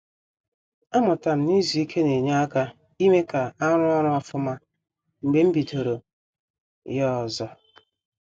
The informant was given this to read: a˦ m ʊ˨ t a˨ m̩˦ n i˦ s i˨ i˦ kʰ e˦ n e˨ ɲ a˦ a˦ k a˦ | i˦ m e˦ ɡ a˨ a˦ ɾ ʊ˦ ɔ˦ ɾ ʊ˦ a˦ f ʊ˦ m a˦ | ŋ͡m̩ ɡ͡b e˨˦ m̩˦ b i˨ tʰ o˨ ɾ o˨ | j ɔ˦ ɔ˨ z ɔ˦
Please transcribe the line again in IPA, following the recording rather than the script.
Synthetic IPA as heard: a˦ m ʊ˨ t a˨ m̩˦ n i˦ z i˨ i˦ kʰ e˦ n e˨ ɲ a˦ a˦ k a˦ | i˦ m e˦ k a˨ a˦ ɾ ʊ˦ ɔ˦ ɾ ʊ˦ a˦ f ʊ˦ m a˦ | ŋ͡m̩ ɡ͡b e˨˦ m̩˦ b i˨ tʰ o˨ ɾ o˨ | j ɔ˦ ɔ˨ z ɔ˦